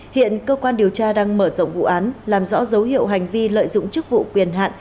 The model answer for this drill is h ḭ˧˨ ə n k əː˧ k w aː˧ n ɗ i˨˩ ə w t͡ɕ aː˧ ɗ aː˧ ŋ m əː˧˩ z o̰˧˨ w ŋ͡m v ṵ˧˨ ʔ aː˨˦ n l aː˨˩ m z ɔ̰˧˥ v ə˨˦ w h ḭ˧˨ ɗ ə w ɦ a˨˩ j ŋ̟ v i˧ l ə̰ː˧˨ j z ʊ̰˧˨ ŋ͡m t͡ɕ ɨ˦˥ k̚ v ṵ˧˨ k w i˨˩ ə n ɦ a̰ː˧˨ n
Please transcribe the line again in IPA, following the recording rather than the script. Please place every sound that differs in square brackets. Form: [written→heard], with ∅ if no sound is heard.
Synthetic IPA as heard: h ḭ˧˨ ə n k əː˧ k w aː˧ n ɗ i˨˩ ə w t͡ɕ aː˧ ɗ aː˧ ŋ m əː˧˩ z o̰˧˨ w ŋ͡m v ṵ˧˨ ʔ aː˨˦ n l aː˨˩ m z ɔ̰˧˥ [v→z] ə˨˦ w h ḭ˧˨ [ɗ→∅] ə w ɦ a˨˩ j ŋ̟ v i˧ l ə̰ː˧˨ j z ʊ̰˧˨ ŋ͡m t͡ɕ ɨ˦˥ k̚ v ṵ˧˨ k w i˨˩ ə n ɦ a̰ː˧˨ n